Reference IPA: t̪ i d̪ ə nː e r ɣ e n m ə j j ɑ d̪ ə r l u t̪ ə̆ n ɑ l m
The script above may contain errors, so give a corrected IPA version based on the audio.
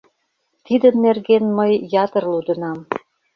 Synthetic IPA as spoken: t̪ i d̪ ə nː e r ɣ e n m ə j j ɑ t̪ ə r l u d̪ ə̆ n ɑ m